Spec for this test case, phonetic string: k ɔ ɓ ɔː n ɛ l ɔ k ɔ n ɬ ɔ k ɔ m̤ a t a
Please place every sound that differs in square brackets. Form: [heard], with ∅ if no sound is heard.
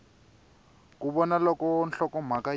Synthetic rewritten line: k [u] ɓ [ɔ] n [a] l ɔ k ɔ n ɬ ɔ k ɔ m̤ a [k] a